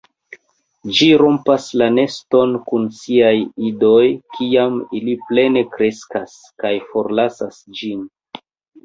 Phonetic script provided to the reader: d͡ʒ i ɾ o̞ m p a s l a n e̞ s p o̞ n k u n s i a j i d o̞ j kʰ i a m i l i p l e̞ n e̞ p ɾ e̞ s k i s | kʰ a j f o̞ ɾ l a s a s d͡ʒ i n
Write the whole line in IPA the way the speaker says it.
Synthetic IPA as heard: d͡ʒ i ɾ o̞ m p a s l a n e̞ s t o̞ n k u n s i a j i d o̞ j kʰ i a m i l i p l e̞ n e̞ k ɾ e̞ s k a s | k a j f o̞ ɾ l a s a s d͡ʒ i n